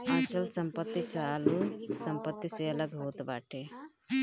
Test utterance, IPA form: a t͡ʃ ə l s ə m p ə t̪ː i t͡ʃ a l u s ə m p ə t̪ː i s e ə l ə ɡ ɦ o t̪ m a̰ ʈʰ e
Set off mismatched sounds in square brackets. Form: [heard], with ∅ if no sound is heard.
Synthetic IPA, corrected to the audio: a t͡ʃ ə l s ə m p ə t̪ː i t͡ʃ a l u s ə m p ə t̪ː i s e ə l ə ɡ ɦ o t̪ [b] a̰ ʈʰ e

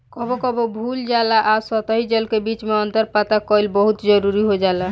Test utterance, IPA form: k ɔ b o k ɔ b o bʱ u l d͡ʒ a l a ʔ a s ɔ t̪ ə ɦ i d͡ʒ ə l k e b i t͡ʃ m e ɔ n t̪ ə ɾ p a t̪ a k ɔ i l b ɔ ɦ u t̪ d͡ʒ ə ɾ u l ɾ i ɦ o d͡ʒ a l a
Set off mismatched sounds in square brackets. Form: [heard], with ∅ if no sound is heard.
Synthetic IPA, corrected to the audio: k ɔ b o k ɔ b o bʱ u l d͡ʒ a l a ʔ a s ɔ t̪ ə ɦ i d͡ʒ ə l k e b i t͡ʃ m e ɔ n t̪ ə ɾ p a t̪ a k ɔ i l b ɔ ɦ u t̪ d͡ʒ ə ɾ u [∅] ɾ i ɦ o d͡ʒ a l a

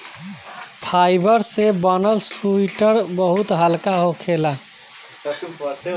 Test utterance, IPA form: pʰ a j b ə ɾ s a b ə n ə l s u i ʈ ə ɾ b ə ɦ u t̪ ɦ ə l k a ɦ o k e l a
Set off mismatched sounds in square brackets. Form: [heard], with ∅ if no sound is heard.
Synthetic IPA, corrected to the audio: pʰ a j b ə ɾ s [e] b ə n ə l s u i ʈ ə ɾ b ə ɦ u t̪ ɦ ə l k a ɦ o [kʰ] e l a

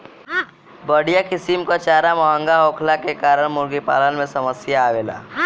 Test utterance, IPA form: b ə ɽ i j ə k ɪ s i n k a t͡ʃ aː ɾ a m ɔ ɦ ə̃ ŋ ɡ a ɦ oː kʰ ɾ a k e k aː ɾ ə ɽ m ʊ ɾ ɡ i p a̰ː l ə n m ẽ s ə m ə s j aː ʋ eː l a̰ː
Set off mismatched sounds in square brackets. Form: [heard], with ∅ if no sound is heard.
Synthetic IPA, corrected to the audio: b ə ɽ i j [a] k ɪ s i [m] k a t͡ʃ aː ɾ a m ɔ ɦ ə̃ ŋ ɡ a ɦ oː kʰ [l] a k e k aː ɾ ə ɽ m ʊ ɾ ɡ i p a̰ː l ə n m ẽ s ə m ə s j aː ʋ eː l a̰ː

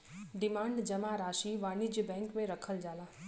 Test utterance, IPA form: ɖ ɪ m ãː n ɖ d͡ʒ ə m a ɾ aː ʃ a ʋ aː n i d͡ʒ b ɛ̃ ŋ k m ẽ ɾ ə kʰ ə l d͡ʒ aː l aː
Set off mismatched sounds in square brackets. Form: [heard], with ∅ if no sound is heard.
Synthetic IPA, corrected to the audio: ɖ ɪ m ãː [ɳ] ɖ d͡ʒ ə m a ɾ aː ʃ [i] ʋ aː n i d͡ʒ b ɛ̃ ŋ k m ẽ ɾ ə kʰ ə l d͡ʒ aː l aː

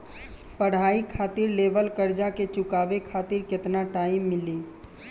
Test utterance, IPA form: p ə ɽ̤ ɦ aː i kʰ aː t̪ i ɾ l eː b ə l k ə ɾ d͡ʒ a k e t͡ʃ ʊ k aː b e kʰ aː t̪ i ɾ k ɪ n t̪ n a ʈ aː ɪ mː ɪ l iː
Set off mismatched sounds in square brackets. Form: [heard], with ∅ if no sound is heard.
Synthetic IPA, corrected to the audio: p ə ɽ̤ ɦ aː i kʰ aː t̪ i ɾ l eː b ə l k ə ɾ d͡ʒ a k e t͡ʃ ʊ k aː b e kʰ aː t̪ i ɾ k ɪ [∅] t̪ n a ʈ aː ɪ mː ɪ l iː

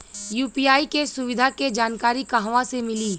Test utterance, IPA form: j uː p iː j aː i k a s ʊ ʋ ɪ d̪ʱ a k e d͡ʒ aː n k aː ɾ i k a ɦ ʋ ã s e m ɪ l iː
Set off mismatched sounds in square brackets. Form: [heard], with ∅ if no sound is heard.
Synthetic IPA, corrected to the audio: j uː p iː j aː i k [e] s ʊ ʋ ɪ d̪ʱ a k e d͡ʒ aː n k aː ɾ i k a ɦ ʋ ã s e m ɪ l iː

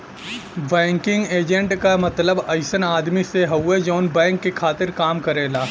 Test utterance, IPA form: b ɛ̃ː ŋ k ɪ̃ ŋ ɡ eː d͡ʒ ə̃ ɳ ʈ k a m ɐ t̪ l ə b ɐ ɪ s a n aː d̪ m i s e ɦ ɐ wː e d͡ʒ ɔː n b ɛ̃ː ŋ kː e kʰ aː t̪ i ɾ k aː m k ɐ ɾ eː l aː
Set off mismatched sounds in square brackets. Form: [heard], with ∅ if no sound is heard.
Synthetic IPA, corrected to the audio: b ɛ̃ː ŋ k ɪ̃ ŋ ɡ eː d͡ʒ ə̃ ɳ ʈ k a m ɐ t̪ l ə b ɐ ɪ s [ə] n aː d̪ m i s e ɦ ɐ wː e d͡ʒ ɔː n b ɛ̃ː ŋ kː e kʰ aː t̪ [ɪ] ɾ k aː m k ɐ ɾ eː l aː

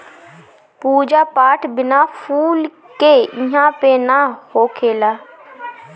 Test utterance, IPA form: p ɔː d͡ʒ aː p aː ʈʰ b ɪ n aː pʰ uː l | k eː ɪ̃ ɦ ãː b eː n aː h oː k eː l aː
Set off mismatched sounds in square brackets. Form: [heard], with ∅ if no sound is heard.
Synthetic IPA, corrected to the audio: p [uː] d͡ʒ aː p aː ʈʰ b ɪ n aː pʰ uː l | k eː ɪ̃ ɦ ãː [p] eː n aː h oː [kʰ] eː l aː

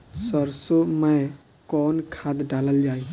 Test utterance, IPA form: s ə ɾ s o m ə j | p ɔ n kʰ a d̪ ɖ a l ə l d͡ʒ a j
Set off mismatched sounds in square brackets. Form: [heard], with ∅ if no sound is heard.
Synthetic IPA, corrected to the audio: s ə ɾ s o m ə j | [k] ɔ n kʰ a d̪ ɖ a l ə l d͡ʒ a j

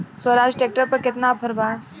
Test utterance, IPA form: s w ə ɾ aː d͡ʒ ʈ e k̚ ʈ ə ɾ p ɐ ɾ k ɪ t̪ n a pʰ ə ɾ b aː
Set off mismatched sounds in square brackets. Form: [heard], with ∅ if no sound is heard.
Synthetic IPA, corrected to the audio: s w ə ɾ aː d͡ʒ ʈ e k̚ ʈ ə ɾ p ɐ ɾ k ɪ t̪ n a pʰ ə ɾ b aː

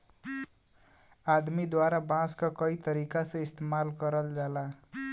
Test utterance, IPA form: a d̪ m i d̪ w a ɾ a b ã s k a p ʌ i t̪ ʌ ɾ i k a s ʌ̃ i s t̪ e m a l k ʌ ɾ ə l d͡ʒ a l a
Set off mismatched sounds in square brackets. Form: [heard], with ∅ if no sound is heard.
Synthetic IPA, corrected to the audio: a d̪ m i d̪ w a ɾ a b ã s k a [k] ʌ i t̪ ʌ ɾ i k a s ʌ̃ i s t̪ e m a l k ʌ ɾ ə l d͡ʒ a l a

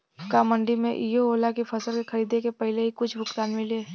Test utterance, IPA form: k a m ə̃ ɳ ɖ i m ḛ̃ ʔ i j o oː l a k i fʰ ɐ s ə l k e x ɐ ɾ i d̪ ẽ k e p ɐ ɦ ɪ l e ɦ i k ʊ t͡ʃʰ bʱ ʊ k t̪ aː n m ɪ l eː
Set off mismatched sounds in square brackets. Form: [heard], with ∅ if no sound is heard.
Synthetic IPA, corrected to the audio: k a m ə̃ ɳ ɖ i m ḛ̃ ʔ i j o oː l a k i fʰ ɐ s ə l k e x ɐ ɾ [iː] d̪ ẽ k e p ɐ ɦ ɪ l e ɦ i k ʊ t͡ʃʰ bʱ ʊ k t̪ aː n m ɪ l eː

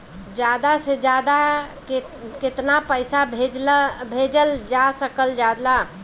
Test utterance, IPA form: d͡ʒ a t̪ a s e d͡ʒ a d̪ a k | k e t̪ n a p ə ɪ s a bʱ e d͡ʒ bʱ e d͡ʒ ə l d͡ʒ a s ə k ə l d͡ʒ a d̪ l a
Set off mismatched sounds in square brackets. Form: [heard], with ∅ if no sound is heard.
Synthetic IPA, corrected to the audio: d͡ʒ a [d̪] a s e d͡ʒ a d̪ a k | k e t̪ n a p ə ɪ s a bʱ e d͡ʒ bʱ e d͡ʒ ə l d͡ʒ a s ə k ə l d͡ʒ a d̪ l a

